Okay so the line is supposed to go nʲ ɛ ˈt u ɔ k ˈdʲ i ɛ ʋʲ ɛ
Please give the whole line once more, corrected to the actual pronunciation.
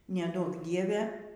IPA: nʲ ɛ ˈd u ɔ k ˈdʲ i ɛ ʋʲ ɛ